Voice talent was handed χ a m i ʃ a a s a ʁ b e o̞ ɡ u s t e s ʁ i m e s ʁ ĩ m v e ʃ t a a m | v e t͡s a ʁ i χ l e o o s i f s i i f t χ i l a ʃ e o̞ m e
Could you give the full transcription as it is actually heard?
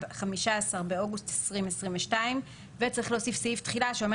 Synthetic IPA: χ a m i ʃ a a s a ʁ b e o̞ ɡ u s t e s ʁ i m e s ʁ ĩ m v e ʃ t a i m | v e t͡s a ʁ i χ l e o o s i f s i i f t χ i l a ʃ e o̞ m e